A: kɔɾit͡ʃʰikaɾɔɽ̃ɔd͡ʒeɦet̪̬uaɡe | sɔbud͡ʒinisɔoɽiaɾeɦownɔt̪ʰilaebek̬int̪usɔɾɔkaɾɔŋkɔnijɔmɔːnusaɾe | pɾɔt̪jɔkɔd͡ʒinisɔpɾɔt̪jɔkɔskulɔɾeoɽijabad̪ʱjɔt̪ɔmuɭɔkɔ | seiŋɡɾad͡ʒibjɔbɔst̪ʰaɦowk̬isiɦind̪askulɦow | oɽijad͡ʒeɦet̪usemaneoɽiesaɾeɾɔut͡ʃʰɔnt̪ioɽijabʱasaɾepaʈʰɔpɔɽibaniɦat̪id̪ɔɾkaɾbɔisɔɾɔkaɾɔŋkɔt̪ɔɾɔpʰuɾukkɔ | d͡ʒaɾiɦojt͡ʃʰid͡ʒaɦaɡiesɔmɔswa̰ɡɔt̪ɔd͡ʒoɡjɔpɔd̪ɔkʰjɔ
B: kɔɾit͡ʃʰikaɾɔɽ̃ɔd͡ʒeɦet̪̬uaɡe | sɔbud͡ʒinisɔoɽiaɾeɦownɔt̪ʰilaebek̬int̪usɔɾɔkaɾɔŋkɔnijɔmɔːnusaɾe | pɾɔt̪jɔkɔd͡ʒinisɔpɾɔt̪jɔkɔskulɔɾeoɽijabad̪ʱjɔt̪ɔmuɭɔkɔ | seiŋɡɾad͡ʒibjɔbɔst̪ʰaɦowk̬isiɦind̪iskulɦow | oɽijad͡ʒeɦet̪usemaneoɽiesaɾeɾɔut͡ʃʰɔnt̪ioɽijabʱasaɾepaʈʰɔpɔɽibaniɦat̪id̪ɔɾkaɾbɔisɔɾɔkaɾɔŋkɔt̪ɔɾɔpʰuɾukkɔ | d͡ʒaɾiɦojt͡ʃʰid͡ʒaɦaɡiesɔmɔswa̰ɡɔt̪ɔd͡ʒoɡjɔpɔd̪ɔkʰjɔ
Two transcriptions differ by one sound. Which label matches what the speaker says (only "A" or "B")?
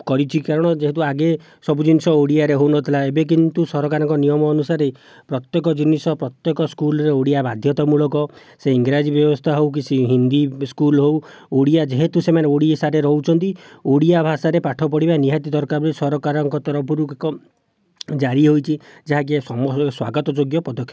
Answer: B